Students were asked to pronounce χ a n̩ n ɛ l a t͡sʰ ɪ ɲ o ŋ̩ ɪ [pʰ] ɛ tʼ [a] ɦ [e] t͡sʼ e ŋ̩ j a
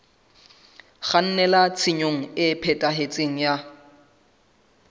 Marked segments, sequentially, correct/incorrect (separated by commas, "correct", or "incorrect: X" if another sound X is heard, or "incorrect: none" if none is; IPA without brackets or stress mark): correct, correct, correct